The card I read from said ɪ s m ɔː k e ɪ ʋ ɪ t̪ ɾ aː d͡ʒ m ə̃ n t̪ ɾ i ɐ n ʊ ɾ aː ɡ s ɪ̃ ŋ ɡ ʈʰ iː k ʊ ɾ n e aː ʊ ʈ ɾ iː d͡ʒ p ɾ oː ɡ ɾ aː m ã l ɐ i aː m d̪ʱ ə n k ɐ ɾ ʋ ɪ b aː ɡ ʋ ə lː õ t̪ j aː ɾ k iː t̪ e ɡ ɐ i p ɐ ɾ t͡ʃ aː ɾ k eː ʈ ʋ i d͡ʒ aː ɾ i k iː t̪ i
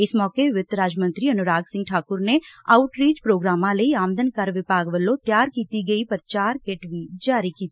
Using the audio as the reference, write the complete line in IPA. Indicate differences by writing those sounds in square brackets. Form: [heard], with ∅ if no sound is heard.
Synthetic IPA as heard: ɪ s m ɔː k e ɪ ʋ ɪ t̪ ɾ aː d͡ʒ m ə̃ n t̪ ɾ i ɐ n ʊ ɾ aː ɡ s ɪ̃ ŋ ɡ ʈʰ [aː] k ʊ ɾ n e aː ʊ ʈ ɾ iː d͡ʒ p ɾ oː ɡ ɾ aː m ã l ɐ i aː m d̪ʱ ə n k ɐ ɾ ʋ ɪ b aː ɡ ʋ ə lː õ t̪ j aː ɾ k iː t̪ [i] ɡ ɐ i p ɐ ɾ t͡ʃ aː ɾ k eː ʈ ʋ i d͡ʒ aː ɾ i k iː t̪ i